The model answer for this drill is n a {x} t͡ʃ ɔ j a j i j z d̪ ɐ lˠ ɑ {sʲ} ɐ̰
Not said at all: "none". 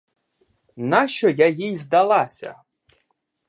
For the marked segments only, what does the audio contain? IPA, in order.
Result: ʃ, sʲ

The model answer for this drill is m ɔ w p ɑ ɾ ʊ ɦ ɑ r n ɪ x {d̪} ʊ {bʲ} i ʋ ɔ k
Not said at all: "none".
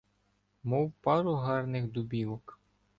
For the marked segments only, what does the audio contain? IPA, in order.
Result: d̪, bʲ

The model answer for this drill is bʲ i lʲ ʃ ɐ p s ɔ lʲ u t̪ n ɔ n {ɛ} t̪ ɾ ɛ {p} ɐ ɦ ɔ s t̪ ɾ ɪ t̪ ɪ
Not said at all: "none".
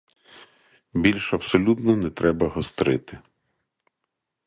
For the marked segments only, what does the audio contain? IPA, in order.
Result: ɛ, b

